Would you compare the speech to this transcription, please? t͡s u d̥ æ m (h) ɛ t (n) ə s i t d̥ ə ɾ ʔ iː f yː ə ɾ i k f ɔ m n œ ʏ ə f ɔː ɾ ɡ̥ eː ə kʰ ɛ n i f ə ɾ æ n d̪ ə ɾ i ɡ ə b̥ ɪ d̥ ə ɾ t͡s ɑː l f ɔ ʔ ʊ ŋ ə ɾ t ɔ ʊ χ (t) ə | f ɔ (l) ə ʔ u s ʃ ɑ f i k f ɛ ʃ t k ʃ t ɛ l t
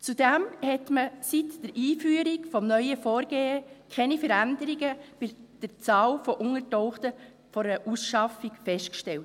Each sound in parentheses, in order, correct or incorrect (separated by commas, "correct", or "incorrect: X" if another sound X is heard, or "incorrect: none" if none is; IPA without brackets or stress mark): correct, incorrect: m, correct, incorrect: ɾ